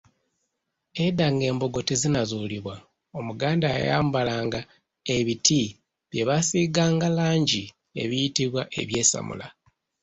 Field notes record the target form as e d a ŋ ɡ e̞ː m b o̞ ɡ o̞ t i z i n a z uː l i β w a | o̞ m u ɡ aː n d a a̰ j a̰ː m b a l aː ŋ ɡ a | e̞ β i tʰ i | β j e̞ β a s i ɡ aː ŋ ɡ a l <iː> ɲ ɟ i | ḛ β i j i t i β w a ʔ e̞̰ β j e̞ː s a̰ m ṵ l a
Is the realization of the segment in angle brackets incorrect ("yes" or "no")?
yes